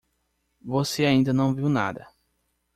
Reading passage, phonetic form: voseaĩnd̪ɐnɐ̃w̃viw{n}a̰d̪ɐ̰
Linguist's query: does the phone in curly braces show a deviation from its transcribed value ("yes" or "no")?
no